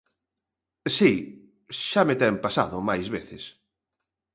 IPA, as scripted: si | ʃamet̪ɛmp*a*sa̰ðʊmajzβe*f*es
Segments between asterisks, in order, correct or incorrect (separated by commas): correct, incorrect